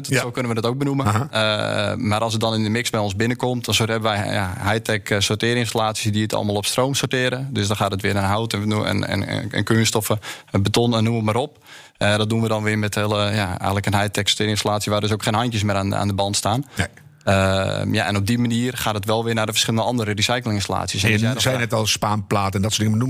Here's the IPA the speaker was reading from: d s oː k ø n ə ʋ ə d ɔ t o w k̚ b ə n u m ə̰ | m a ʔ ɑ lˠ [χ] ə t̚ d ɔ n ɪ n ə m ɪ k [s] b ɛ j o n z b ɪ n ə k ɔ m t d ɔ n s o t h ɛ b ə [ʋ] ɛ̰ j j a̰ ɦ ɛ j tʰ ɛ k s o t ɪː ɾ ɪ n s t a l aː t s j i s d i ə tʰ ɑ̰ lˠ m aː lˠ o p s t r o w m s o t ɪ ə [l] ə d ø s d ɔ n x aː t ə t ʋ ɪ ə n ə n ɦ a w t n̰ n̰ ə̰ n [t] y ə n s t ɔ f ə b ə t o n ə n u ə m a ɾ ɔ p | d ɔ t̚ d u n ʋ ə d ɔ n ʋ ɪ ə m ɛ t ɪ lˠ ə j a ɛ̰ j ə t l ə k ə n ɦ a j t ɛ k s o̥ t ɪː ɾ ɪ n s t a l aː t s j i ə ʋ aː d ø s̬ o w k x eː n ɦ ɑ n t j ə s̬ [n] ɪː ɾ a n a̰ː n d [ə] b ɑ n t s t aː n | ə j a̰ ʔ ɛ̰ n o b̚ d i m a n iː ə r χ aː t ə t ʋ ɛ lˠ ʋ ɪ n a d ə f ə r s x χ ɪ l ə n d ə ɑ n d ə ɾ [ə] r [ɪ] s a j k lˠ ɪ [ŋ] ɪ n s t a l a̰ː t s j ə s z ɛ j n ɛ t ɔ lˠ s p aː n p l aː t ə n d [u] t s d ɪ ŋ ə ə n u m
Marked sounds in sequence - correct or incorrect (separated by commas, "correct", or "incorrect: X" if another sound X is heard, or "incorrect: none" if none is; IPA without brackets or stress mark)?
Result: incorrect: s, correct, correct, incorrect: ɾ, incorrect: k, incorrect: m, correct, correct, incorrect: i, correct, incorrect: ɔ